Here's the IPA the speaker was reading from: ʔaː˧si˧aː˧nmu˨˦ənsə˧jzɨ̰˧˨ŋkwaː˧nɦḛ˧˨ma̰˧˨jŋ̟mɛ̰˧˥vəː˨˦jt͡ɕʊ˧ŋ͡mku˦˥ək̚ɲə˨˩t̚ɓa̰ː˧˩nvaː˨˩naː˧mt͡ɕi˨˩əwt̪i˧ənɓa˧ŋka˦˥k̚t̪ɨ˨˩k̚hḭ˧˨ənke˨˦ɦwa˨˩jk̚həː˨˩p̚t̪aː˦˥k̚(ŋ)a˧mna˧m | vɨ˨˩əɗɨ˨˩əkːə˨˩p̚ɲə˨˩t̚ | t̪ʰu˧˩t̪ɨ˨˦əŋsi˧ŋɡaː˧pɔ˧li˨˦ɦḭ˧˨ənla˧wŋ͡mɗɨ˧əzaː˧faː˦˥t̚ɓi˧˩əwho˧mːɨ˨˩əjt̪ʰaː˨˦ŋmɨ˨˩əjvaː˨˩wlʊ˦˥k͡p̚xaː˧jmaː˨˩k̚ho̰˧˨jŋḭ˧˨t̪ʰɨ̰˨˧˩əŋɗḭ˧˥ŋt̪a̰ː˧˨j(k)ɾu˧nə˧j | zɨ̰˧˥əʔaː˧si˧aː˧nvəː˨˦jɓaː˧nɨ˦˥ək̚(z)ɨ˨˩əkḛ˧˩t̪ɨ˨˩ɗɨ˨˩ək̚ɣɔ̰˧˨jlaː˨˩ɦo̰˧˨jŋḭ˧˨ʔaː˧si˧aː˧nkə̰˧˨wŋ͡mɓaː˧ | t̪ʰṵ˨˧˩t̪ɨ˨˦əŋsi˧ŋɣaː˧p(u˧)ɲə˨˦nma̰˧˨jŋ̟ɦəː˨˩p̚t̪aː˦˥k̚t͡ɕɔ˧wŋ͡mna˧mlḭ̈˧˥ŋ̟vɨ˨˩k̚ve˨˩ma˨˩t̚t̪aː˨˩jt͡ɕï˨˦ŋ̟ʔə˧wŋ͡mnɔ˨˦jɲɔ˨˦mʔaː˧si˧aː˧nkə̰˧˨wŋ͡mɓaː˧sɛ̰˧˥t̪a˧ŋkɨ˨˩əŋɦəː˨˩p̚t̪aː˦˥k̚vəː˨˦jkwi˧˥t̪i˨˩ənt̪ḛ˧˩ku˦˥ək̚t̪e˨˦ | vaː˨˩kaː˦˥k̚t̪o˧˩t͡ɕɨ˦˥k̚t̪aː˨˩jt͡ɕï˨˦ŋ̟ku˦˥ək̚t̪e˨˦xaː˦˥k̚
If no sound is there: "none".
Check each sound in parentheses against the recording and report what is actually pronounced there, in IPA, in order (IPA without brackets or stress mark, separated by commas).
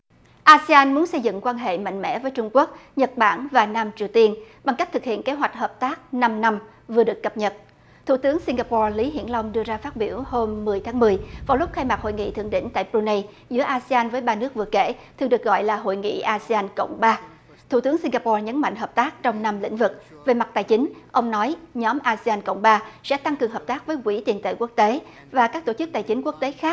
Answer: n, p, v, ɔ˧